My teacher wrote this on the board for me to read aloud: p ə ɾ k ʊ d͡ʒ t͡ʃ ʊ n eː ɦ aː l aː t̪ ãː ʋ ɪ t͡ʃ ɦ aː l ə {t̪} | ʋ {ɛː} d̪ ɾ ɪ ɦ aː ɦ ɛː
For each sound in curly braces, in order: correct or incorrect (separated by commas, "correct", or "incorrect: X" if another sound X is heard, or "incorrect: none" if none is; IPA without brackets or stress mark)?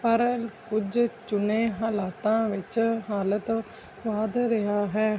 correct, incorrect: aː